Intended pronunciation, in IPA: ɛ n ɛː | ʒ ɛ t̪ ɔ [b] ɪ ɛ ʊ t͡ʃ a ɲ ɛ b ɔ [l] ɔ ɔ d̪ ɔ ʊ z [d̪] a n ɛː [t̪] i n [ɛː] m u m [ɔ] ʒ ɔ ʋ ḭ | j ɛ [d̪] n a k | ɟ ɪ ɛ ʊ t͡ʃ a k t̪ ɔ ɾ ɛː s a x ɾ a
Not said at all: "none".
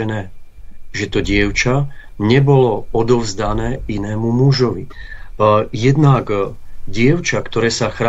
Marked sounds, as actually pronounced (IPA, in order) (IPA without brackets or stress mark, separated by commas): ɟ, l, d̪, none, ɛː, u, d̪